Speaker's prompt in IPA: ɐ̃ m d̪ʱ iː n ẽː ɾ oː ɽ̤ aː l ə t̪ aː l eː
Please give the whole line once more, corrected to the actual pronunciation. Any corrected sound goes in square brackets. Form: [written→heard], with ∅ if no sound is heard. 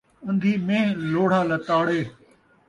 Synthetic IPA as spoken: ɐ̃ [m→n] d̪ʱ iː [n→m] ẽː [ɾ→l] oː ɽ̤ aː l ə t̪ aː [l→ɽ] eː